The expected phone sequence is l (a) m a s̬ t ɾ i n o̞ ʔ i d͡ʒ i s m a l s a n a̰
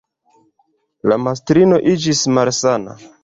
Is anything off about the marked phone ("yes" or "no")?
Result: no